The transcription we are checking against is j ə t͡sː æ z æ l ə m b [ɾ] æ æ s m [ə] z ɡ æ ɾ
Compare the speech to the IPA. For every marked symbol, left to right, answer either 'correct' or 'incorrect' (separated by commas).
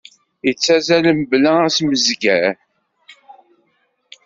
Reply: incorrect, correct